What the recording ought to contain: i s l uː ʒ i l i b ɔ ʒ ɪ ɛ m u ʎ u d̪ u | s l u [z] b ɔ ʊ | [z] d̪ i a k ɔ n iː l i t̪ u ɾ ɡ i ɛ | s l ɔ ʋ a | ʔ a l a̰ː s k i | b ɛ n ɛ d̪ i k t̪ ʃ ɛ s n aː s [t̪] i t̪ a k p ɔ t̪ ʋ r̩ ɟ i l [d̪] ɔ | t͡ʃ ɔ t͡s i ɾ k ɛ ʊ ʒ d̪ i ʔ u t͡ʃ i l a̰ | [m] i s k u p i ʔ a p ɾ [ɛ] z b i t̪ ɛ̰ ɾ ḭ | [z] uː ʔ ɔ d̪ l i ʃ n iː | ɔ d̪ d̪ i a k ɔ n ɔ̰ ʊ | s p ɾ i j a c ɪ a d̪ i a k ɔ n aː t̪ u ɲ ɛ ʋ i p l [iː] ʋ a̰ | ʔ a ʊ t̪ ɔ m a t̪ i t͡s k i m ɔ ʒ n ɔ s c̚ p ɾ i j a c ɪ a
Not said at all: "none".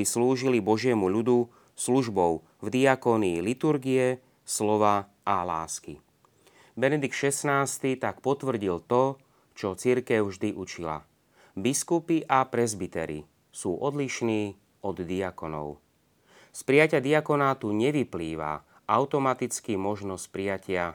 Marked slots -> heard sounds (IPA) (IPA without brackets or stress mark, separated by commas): ʒ, v, t̪, t̪, b, ɛ, s, iː